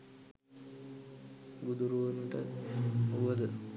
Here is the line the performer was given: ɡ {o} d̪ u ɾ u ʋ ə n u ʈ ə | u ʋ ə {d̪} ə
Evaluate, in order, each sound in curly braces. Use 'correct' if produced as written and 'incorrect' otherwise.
incorrect, correct

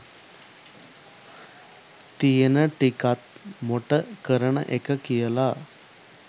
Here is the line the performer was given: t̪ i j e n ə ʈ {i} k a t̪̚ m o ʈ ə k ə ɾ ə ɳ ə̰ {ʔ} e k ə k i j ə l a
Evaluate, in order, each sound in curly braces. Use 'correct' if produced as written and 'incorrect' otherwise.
correct, correct

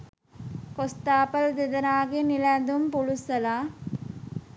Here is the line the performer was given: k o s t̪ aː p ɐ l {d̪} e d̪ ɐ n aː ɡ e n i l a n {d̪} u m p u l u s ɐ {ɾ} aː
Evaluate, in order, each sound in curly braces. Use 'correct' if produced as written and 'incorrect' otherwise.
correct, correct, incorrect

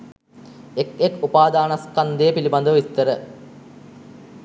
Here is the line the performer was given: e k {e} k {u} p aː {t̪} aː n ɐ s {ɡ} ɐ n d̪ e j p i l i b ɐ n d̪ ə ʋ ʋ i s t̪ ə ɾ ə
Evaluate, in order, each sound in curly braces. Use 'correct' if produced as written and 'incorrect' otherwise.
correct, correct, incorrect, incorrect

